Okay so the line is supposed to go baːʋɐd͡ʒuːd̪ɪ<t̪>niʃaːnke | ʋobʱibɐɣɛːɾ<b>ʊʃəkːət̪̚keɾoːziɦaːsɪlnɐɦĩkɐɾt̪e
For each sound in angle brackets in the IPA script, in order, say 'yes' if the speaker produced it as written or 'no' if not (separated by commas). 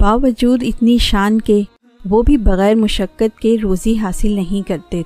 yes, no